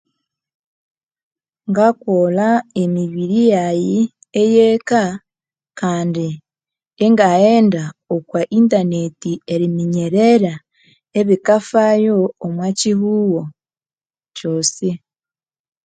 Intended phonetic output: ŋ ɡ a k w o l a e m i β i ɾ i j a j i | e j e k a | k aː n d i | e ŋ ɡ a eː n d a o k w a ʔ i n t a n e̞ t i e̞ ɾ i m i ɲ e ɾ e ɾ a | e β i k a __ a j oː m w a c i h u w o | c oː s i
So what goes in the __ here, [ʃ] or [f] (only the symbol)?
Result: f